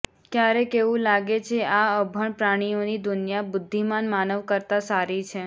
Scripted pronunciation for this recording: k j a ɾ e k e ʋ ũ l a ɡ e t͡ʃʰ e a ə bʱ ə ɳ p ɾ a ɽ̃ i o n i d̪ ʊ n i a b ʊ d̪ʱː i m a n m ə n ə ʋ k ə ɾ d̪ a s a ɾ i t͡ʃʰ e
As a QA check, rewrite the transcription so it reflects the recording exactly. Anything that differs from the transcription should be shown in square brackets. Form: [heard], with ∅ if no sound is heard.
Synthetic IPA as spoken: k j a ɾ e k e ʋ ũ l a ɡ e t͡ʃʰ e a ə bʱ ə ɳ p ɾ a ɽ̃ i o n i d̪ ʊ n [j] a b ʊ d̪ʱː i m a n m [a] n ə ʋ k ə ɾ [t̪] a s a ɾ i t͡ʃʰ e